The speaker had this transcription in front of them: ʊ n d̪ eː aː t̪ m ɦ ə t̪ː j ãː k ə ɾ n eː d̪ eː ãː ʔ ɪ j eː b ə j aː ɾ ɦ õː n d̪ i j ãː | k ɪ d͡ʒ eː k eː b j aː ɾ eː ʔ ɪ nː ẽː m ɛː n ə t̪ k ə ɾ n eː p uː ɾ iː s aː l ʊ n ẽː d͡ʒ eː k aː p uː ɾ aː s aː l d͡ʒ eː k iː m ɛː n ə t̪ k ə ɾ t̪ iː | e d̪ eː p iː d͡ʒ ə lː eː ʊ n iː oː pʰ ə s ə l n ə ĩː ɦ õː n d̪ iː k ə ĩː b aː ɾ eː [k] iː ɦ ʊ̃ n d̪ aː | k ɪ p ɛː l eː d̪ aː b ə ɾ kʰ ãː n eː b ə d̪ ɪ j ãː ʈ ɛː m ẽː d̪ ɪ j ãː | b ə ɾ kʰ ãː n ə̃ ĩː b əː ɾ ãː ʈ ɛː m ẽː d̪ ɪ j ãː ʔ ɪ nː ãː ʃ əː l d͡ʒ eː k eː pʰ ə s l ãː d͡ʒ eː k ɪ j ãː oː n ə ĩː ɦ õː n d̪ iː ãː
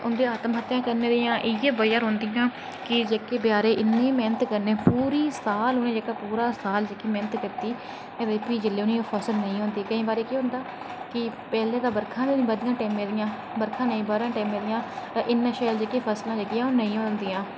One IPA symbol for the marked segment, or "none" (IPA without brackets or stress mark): k